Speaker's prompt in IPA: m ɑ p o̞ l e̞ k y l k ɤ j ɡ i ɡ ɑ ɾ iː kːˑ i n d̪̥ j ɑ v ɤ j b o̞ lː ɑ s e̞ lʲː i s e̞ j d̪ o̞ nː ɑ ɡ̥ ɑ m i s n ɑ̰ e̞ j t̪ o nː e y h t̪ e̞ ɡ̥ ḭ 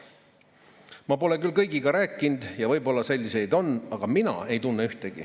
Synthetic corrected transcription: m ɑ p o̞ l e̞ k y l k ɤ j ɡ i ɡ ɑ ɾ æː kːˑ i n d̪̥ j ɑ v ɤ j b o̞ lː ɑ s e̞ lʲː i s e̞ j d̪ o̞ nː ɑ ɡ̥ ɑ m i n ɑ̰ e̞ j t̪ u nː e y h t̪ e̞ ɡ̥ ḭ

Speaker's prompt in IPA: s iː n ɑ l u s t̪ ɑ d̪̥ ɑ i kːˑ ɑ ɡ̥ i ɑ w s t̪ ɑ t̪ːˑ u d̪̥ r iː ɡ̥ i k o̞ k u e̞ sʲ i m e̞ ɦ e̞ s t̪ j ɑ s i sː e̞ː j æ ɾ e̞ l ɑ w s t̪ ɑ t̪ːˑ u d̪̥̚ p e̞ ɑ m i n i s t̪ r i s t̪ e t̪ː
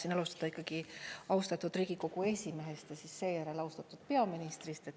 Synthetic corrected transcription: s i n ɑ l u s t̪ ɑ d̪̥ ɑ i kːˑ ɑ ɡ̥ i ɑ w s t̪ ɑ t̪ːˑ u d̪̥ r iː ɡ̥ i k o̞ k u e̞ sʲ i m e̞ ɦ e̞ s t̪ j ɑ s i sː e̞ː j æ ɾ e̞ l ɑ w s t̪ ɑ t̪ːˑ u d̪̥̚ p e̞ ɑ m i n i s t̪ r i s t̪ e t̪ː

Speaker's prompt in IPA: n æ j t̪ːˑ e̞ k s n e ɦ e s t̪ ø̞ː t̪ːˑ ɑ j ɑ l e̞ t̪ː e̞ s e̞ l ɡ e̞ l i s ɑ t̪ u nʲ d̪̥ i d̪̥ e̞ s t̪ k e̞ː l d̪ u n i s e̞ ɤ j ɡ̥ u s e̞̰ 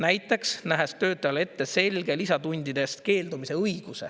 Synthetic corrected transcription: n æ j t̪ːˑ e̞ k s n æ ɦ e s t̪ ø̞ː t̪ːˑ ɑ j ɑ l e̞ t̪ː e̞ s e̞ l ɡ e̞ l i s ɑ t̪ u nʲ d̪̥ i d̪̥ e̞ s t̪ k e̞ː l d̪ u m i s e̞ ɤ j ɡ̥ u s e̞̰

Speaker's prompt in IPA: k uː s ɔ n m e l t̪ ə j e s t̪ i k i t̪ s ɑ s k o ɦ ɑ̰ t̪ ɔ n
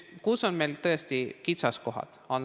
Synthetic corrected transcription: k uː s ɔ n m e l t̪ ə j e s t̪ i k i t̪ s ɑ s k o ɦ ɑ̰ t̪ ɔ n

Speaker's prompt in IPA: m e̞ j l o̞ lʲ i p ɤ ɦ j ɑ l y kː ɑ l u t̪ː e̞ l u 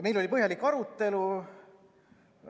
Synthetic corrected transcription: m e̞ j l o̞ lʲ i p ɤ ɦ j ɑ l i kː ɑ ɾ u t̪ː e̞ l u

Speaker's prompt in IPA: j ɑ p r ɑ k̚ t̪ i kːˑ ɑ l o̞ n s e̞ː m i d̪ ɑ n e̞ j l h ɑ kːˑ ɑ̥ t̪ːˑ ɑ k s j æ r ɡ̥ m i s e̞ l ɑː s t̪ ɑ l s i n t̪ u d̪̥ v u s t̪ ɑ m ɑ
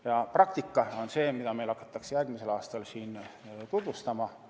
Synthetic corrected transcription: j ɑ p r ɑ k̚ t̪ i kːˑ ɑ o̞ n s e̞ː m i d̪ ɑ m e̞ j l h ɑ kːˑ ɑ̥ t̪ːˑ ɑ k s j æ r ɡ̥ m i s e̞ l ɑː s t̪ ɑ l s iː n t̪ u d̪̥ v u s t̪ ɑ m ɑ

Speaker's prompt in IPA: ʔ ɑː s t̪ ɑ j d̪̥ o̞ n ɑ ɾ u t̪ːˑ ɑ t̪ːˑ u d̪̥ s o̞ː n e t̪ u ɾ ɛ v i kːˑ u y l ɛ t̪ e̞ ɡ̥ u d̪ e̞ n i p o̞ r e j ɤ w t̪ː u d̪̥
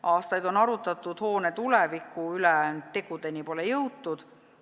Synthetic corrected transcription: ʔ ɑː s t̪ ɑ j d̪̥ o̞ n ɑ ɾ u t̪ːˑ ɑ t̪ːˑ u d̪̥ h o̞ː n e t̪ u l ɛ v i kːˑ u y l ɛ t̪ e̞ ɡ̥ u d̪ e̞ n i p o̞ l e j ɤ w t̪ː u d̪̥

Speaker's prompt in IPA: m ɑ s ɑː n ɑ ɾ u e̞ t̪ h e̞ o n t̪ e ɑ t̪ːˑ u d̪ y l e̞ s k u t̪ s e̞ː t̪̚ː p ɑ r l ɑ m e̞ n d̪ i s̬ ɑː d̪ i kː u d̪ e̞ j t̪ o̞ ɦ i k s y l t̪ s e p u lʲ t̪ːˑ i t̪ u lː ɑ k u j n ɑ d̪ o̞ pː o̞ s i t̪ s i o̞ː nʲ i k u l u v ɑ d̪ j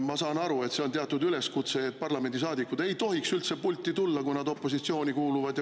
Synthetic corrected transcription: m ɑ s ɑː n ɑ ɾ u e̞ t̪ s e̞ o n t̪ e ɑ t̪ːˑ u d̪ y l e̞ s k u t̪ s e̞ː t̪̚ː p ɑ r l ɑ m e̞ n d̪ i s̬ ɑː d̪ i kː u d̪ e̞ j t̪ o̞ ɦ i k s y l t̪ s e p u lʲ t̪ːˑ i t̪ u lː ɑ k u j n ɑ d̪ o̞ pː o̞ s i t̪ s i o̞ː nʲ i k uː l u v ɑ d̪ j

